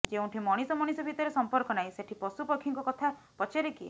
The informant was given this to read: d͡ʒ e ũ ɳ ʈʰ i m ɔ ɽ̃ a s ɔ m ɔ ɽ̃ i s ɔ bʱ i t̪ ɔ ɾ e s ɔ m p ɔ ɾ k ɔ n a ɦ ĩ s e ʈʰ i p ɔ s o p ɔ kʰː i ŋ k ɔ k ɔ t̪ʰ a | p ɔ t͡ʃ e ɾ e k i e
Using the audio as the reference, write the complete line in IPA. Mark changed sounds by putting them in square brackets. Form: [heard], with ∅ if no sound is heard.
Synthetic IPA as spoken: d͡ʒ e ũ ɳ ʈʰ i m ɔ ɽ̃ [i] s ɔ m ɔ ɽ̃ i s ɔ bʱ i t̪ ɔ ɾ e s ɔ m p ɔ ɾ k ɔ n a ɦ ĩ s e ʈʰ i p ɔ s [u] p ɔ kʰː i ŋ k ɔ k ɔ t̪ʰ a | p ɔ t͡ʃ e ɾ e k i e

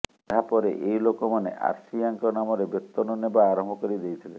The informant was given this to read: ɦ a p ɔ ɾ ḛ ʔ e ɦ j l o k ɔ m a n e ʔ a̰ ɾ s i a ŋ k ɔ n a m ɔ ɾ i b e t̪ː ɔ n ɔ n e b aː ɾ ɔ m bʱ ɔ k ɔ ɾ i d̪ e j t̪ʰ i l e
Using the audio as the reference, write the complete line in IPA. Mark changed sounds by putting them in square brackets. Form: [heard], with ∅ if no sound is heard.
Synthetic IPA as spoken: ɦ a p ɔ ɾ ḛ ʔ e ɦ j l o k ɔ m a n e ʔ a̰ ɾ s i a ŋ k ɔ n a m ɔ ɾ [e] b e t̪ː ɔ n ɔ n e b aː ɾ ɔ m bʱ ɔ k ɔ ɾ i d̪ e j t̪ʰ i l e

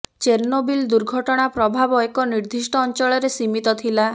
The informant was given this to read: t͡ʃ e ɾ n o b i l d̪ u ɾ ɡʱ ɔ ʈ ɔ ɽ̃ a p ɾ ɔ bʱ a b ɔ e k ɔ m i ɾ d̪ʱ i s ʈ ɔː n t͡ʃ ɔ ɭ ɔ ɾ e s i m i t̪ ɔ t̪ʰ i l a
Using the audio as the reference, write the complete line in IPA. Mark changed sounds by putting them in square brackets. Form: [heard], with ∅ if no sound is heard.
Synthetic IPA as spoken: t͡ʃ e ɾ n o b i l d̪ u ɾ ɡʱ ɔ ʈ ɔ ɽ̃ a p ɾ ɔ bʱ a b ɔ e k ɔ [n] i ɾ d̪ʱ i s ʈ ɔː n t͡ʃ ɔ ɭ ɔ ɾ e s i m i t̪ ɔ t̪ʰ i l a

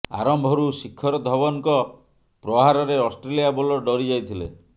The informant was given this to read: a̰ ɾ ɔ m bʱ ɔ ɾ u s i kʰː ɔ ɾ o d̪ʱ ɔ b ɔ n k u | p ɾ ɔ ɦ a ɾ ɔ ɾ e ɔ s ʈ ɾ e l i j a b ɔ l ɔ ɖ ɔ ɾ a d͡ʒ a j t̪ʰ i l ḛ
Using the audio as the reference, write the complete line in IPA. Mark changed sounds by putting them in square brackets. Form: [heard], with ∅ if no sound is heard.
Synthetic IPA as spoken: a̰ ɾ ɔ m bʱ ɔ ɾ u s i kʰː ɔ ɾ [ɔ] d̪ʱ ɔ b ɔ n k [ɔ] | p ɾ ɔ ɦ a ɾ ɔ ɾ e ɔ s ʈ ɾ e l i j a b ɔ l ɔ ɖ ɔ ɾ [i] d͡ʒ a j t̪ʰ i l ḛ

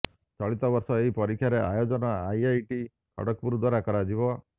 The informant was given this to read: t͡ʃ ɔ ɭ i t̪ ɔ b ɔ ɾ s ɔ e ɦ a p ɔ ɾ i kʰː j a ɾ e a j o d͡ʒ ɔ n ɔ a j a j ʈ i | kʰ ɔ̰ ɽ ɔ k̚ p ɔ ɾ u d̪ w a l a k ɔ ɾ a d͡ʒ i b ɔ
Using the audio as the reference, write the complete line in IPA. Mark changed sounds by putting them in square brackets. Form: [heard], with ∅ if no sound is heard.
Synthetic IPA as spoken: t͡ʃ ɔ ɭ i t̪ ɔ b ɔ ɾ s ɔ e ɦ [i] p ɔ ɾ i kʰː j a ɾ e a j o d͡ʒ ɔ n ɔ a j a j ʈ i | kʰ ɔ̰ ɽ ɔ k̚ p [u] ɾ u d̪ w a [ɾ] a k ɔ ɾ a d͡ʒ i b ɔ

